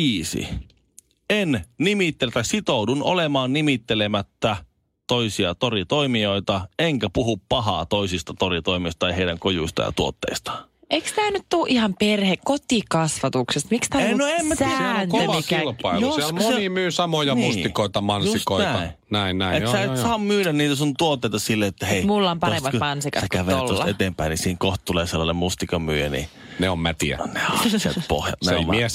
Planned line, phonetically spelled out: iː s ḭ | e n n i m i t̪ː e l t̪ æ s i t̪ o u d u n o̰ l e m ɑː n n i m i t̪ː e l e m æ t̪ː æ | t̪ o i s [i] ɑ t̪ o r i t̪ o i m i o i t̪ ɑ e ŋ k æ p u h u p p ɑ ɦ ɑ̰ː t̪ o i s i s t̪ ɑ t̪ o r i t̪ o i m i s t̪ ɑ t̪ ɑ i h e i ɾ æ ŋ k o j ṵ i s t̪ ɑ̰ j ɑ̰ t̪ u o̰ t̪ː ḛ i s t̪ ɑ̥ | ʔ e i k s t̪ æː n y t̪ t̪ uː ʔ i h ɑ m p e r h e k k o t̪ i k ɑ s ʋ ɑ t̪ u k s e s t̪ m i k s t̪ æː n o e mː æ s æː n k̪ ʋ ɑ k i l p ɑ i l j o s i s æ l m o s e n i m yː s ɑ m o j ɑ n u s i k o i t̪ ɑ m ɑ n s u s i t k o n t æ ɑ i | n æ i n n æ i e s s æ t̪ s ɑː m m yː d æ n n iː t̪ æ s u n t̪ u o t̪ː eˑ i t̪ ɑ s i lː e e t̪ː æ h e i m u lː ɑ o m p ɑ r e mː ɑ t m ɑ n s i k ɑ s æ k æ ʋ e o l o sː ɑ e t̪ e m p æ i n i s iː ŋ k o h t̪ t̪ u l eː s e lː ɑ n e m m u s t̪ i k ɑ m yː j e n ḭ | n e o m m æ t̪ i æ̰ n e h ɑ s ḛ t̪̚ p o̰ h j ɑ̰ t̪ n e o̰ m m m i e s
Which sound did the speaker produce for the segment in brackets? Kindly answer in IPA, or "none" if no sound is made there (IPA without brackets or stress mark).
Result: i